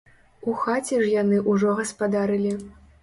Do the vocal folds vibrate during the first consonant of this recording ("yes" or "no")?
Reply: no